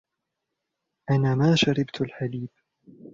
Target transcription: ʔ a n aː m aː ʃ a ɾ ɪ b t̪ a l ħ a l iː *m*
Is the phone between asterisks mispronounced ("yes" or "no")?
yes